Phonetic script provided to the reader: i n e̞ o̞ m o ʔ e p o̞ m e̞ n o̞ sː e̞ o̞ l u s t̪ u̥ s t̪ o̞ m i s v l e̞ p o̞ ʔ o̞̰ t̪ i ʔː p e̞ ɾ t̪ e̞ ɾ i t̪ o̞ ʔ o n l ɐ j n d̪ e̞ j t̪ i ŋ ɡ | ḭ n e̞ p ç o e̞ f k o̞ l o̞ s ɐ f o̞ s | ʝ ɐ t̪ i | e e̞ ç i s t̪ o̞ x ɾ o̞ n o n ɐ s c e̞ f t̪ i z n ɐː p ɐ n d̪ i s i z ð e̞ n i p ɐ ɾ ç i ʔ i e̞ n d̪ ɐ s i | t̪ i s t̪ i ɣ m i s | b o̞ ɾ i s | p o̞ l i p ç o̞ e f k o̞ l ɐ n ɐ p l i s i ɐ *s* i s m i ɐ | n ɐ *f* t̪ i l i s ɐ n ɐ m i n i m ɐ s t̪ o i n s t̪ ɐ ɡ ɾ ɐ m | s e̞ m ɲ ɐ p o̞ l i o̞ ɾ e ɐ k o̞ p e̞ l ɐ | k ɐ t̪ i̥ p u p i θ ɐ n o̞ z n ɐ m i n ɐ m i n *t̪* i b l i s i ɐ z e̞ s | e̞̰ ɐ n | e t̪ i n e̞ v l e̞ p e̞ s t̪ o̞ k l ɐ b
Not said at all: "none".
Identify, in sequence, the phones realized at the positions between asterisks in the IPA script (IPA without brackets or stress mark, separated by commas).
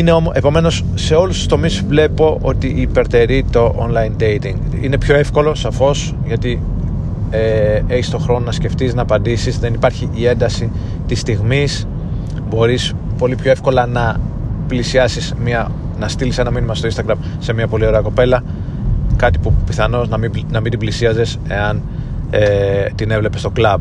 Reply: s, s, d̪